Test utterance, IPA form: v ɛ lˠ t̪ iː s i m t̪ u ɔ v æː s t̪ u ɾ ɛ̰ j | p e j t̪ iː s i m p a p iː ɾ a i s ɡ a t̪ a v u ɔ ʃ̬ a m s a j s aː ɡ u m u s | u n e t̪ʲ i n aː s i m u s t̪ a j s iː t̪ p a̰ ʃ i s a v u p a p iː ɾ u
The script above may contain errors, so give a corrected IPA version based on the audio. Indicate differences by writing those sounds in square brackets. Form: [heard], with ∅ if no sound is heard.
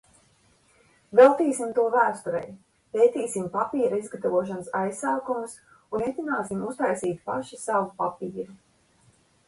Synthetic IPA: v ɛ lˠ t̪ iː s i m t̪ u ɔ v æː s t̪ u ɾ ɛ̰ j | p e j t̪ iː s i m p a p iː ɾ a i [z] ɡ a t̪ a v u ɔ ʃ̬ a [n] s a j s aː [k] u m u s | u n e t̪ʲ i n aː s i m u s t̪ a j s iː t̪ p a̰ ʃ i s a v u p a p iː ɾ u